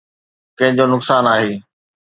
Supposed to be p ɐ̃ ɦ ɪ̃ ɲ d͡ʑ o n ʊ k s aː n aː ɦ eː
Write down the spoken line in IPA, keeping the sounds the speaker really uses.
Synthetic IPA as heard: k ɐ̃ ɦ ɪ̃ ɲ d͡ʑ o n ʊ k s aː n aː ɦ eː